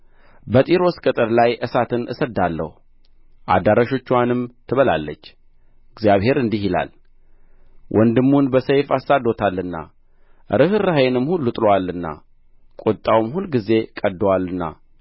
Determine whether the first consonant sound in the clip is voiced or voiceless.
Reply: voiced